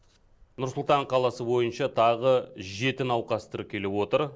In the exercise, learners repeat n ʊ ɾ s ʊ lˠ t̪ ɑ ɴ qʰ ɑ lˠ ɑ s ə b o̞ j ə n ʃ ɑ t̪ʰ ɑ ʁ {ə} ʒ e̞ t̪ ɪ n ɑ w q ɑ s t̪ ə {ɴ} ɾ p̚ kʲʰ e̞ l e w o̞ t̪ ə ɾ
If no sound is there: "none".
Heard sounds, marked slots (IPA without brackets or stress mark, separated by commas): ə, none